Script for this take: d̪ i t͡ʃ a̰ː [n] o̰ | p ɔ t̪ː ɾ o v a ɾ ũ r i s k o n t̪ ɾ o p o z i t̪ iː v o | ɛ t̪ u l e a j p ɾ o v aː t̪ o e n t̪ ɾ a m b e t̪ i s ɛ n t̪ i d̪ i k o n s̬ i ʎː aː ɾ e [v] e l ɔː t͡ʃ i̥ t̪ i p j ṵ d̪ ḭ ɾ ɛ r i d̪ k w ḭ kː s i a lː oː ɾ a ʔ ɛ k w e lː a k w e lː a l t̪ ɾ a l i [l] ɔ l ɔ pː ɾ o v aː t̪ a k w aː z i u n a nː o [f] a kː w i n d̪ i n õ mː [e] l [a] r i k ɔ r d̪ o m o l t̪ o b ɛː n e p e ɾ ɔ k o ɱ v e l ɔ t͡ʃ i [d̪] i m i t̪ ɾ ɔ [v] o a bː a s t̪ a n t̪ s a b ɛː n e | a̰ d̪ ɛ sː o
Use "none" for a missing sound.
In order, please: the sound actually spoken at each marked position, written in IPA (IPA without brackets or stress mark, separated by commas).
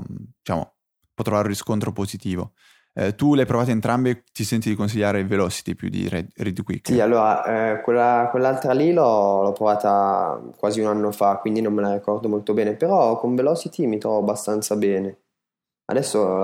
m, v, l, f, e, a, t̪, v